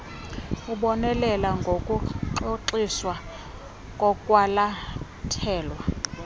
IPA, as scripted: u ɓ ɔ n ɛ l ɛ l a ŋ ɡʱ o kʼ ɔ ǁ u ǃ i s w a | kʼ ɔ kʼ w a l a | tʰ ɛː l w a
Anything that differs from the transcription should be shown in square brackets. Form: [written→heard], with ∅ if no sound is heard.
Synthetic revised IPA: u ɓ ɔ n ɛ l ɛ l a ŋ ɡʱ o kʼ [ɔ→u] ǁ [u→o] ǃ i s w a | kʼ ɔ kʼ w a l a | tʰ ɛː l w a